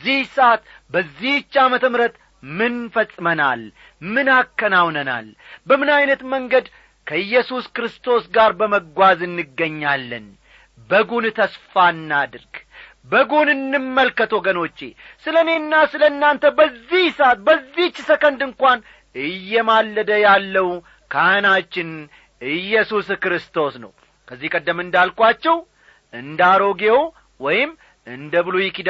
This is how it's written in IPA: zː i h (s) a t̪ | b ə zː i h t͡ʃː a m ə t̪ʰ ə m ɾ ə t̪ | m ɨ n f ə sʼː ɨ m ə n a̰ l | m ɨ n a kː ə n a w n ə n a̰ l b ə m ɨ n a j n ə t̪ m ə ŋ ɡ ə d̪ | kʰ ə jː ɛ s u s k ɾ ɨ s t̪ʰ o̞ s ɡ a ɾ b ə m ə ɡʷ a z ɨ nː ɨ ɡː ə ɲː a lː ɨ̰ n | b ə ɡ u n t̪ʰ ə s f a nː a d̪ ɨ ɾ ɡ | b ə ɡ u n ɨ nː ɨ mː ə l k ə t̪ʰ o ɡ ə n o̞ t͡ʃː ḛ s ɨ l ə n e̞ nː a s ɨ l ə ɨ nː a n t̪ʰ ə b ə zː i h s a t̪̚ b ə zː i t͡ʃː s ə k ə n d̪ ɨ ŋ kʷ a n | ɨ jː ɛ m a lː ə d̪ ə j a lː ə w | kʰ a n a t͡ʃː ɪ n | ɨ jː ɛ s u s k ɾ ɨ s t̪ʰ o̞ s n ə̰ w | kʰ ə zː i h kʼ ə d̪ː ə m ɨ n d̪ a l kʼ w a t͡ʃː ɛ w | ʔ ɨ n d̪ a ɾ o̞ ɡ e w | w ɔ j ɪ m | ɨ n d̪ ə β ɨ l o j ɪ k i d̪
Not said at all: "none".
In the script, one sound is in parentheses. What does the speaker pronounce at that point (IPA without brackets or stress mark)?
s